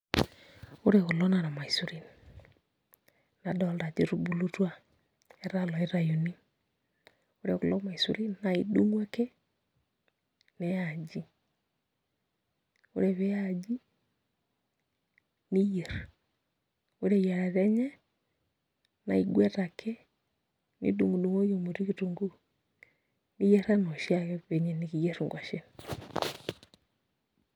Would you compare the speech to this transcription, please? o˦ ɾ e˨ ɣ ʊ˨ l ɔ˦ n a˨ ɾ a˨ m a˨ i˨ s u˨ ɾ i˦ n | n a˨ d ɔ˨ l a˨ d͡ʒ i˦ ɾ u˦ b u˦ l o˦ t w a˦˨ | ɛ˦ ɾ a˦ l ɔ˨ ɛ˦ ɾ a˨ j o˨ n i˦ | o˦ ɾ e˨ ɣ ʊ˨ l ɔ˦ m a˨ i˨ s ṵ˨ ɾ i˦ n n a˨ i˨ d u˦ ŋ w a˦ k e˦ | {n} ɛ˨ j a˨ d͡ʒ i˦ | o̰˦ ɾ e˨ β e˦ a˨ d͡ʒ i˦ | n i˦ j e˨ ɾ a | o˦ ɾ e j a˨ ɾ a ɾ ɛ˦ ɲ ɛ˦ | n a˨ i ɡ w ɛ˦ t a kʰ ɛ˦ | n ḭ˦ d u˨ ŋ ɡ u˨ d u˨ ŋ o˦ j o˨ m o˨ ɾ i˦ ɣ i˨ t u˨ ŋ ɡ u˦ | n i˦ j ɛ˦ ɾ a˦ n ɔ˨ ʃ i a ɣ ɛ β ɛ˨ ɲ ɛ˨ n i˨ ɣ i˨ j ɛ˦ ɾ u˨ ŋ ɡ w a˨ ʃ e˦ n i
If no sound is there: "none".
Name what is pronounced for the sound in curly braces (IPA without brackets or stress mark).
n